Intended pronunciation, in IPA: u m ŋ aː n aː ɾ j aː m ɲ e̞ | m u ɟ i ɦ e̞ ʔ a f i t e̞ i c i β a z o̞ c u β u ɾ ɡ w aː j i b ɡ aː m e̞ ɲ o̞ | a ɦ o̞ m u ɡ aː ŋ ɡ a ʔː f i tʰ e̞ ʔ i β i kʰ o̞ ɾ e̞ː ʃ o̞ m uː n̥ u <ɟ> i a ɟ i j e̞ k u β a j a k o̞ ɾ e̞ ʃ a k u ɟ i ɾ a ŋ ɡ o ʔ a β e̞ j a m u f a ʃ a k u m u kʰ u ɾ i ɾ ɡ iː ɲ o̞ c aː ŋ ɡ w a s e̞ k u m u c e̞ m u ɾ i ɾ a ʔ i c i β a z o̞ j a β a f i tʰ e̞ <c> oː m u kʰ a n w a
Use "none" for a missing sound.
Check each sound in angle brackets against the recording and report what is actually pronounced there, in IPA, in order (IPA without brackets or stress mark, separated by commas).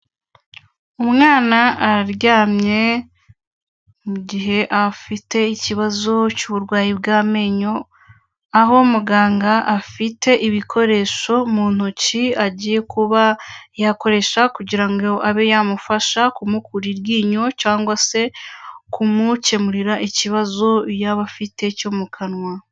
c, c